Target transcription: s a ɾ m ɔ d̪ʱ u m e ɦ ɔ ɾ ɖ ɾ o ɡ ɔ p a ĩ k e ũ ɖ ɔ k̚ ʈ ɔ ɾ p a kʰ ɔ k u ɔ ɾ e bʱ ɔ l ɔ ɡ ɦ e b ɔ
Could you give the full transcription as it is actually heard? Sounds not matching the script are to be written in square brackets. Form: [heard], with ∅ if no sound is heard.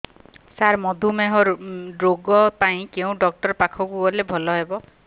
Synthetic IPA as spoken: s a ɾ m ɔ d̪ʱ u m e ɦ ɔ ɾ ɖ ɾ o ɡ ɔ p a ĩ k e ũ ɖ ɔ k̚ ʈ ɔ ɾ p a kʰ ɔ k u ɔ [l] e bʱ ɔ l ɔ [∅] ɦ e b ɔ